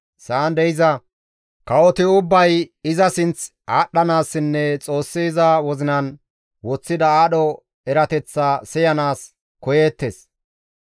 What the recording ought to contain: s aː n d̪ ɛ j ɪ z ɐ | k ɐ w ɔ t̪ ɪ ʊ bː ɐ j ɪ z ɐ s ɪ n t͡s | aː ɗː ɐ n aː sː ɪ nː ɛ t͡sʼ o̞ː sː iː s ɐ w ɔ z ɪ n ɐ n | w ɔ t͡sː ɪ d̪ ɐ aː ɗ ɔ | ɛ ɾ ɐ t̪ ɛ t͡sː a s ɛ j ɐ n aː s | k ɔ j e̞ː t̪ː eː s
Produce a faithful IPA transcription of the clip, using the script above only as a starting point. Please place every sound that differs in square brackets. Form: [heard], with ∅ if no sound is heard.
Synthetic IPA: s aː n d̪ ɛ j ɪ z ɐ | k ɐ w ɔ t̪ ɪ ʊ bː ɐ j ɪ z ɐ s ɪ n t͡s | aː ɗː ɐ n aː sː ɪ nː ɛ t͡sʼ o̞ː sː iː [z] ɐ w ɔ z ɪ n ɐ n | w ɔ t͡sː ɪ d̪ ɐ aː ɗ ɔ | ɛ ɾ ɐ t̪ ɛ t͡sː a s ɛ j ɐ n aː s | k ɔ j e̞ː t̪ː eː s